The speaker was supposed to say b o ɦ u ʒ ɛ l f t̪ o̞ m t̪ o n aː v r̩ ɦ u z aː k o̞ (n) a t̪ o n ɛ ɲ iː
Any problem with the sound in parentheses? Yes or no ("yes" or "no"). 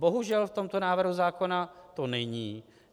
no